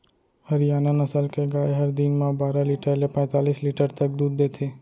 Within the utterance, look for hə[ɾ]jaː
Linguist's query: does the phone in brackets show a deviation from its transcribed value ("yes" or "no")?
no